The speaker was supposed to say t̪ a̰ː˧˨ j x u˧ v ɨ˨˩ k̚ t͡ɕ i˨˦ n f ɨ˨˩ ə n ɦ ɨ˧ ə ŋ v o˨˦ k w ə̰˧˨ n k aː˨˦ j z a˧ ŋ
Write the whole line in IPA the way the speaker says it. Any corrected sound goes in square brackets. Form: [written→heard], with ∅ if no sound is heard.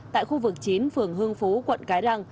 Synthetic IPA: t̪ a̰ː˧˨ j x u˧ v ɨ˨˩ k̚ t͡ɕ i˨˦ n f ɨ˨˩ ə [n→ŋ] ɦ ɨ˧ ə ŋ [v→f] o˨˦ k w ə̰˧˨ n k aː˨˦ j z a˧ ŋ